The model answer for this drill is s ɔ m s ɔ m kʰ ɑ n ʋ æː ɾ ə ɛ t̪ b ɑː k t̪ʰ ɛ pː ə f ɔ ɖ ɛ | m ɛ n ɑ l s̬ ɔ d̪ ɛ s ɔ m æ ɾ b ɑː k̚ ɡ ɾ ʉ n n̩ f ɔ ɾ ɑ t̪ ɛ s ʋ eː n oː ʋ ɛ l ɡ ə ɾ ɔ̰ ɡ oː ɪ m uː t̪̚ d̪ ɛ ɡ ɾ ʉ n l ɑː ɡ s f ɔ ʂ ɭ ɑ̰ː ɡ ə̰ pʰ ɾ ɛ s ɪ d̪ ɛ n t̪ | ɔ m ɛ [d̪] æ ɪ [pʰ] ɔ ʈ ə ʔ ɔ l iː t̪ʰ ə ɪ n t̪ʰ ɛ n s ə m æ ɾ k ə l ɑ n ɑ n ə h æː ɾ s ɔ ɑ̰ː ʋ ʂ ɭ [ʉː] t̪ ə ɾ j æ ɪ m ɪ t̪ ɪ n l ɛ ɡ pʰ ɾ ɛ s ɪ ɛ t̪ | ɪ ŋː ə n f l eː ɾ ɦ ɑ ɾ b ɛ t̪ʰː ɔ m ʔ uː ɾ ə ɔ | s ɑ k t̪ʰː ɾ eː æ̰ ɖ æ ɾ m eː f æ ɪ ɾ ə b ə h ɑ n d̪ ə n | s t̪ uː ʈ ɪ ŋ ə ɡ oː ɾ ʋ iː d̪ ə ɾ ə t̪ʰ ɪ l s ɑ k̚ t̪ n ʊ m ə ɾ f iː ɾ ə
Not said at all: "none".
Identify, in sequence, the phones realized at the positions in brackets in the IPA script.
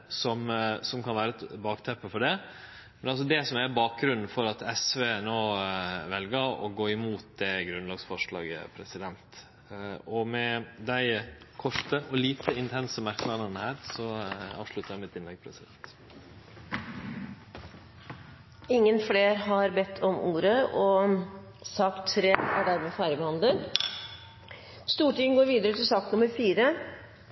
d̪, kʰ, ʉ

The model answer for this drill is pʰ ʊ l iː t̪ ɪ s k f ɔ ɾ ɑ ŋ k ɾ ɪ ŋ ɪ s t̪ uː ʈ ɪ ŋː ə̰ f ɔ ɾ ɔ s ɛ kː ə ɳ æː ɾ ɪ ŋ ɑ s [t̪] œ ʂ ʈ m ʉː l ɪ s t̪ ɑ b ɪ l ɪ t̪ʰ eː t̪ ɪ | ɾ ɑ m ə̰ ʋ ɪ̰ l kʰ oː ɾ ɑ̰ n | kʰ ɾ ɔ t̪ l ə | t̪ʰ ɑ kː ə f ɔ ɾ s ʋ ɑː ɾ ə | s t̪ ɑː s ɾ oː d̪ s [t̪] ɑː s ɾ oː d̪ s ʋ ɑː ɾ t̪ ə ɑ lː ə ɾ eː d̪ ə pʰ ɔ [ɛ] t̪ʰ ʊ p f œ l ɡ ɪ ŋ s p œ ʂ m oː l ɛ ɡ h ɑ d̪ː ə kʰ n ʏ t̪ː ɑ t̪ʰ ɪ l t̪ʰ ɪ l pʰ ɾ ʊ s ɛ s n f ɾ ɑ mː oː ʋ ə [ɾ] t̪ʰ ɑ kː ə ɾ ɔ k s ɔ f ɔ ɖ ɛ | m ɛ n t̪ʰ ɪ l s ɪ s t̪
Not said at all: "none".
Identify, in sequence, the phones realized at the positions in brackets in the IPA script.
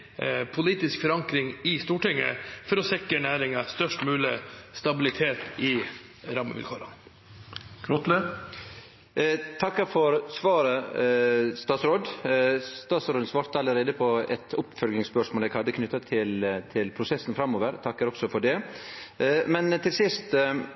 t̪, t̪, ɛ, ɾ

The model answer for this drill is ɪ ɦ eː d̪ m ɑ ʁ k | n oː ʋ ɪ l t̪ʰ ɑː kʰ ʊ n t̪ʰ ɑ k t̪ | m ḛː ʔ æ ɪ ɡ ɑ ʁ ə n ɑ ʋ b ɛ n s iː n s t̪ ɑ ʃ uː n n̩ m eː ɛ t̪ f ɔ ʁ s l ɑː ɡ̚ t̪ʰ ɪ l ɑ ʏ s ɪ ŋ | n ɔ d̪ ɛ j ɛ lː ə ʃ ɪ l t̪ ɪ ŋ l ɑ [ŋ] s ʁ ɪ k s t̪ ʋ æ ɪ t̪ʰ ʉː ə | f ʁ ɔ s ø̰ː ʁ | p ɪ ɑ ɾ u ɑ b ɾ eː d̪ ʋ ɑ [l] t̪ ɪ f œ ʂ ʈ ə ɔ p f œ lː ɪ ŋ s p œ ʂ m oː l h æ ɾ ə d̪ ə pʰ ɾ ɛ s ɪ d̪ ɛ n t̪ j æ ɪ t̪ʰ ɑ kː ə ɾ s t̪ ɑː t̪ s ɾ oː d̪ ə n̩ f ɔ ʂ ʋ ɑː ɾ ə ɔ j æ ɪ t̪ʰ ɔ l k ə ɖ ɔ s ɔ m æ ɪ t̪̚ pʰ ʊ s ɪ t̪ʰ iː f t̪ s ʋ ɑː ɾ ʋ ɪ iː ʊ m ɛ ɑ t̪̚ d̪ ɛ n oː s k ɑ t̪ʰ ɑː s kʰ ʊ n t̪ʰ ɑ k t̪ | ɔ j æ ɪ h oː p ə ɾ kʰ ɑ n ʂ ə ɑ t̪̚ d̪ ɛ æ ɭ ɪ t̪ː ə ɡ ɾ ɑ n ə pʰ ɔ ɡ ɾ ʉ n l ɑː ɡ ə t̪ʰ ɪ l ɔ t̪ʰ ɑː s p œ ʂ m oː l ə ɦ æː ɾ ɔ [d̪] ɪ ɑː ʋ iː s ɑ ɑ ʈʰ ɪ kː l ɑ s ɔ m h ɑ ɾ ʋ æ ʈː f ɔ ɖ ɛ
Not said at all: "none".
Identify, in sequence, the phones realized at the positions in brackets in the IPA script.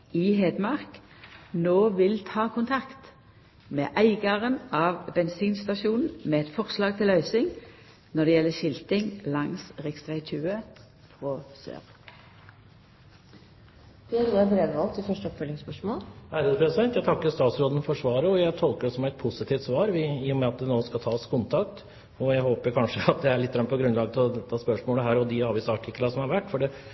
ŋ, l, d̪

